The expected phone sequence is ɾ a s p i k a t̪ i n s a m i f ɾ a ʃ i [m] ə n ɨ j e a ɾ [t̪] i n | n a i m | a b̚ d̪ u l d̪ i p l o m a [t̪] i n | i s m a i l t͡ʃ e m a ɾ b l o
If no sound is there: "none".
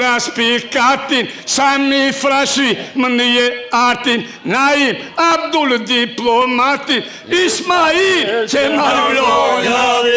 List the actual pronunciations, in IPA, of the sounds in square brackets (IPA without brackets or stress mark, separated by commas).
m, t̪, t̪